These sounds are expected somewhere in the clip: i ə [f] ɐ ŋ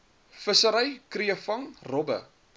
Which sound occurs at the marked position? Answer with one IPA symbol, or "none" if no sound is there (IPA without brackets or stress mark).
f